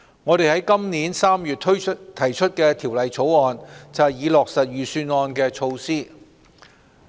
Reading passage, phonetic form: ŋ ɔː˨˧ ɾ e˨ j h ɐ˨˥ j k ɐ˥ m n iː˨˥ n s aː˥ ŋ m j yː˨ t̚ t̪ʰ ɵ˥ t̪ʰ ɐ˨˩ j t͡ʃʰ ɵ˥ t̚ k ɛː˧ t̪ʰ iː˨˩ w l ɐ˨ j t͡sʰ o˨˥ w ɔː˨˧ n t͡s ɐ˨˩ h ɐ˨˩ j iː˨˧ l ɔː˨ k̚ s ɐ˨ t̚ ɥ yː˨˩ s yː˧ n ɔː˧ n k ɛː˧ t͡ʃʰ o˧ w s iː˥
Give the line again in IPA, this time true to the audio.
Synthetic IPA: ŋ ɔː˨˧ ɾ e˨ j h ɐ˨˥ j k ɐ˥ m n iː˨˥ n s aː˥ m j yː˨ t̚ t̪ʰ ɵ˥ t̪ʰ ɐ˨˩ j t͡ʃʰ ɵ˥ t̚ k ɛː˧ t̪ʰ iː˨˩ w l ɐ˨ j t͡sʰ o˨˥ w ɔː˨˧ n t͡s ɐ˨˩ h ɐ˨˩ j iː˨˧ l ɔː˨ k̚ s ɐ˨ t̚ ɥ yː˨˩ s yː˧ n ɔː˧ n k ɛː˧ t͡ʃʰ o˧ w s iː˥